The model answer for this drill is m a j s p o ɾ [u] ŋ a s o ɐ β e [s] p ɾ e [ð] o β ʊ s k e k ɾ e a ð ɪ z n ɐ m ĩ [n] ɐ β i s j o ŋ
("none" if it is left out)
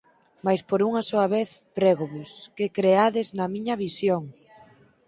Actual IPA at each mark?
u, θ, ɣ, ɲ

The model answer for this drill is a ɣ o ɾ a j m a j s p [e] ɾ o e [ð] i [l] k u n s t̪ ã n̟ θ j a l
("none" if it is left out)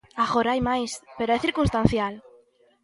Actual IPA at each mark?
e, θ, ɾ

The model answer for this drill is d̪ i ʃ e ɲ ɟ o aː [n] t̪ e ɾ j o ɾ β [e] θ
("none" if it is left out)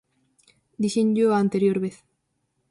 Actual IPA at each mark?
n, e

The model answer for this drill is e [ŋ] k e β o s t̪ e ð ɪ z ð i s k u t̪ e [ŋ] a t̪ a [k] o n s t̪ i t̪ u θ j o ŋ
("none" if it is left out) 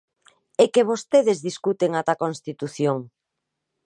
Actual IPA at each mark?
none, ŋ, k

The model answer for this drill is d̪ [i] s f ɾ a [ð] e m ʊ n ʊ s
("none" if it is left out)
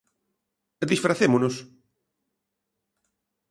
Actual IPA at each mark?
i, θ

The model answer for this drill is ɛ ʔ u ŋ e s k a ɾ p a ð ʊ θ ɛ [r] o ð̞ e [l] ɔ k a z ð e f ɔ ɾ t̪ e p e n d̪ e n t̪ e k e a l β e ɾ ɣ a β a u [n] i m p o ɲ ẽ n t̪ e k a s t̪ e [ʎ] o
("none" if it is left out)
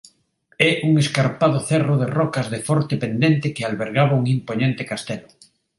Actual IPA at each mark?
r, r, ŋ, l

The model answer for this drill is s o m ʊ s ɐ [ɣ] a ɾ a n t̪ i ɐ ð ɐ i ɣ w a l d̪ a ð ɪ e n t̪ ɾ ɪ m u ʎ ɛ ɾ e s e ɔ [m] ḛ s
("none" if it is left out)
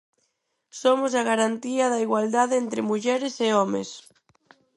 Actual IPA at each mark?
ɣ, m

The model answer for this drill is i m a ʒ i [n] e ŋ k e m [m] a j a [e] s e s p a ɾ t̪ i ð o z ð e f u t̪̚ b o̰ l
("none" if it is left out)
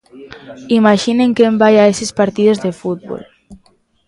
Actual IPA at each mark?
n, b, e

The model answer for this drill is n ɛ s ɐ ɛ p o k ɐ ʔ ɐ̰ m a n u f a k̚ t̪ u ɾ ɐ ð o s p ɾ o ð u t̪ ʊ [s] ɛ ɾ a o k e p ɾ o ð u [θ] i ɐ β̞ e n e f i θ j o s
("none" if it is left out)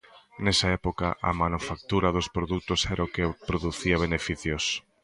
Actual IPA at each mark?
s, θ

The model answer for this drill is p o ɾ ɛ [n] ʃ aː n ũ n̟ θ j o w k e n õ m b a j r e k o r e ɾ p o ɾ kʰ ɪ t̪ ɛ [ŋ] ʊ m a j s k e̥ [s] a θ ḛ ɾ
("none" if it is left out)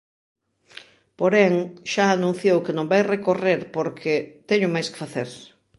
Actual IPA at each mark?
ŋ, ɲ, f

